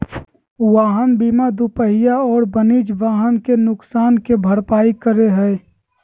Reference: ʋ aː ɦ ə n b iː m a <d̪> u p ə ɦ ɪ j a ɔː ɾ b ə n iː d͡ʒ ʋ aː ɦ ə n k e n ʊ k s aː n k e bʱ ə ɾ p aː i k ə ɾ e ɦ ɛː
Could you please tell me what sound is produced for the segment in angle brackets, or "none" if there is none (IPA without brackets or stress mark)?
d̪